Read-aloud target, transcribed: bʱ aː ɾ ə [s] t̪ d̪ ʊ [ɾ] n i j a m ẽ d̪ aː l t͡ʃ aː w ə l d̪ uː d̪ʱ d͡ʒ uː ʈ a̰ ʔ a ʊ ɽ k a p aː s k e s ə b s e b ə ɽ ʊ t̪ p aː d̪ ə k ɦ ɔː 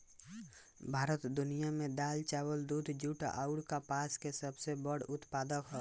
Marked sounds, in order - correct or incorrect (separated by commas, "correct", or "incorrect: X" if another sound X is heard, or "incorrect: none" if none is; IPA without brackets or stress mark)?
incorrect: none, incorrect: none